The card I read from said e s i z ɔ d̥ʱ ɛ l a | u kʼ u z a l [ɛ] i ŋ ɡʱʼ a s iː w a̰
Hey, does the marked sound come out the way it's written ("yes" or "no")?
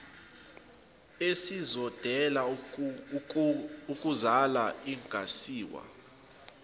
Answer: no